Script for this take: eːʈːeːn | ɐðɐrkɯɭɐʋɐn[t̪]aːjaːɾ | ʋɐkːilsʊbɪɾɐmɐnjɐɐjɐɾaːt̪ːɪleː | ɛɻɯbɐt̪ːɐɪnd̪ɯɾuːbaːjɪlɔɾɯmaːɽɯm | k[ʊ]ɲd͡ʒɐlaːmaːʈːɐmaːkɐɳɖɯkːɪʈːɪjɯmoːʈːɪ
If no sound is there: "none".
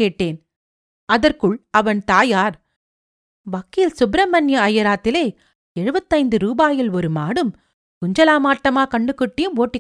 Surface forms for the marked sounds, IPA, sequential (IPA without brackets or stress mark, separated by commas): t̪, ʊ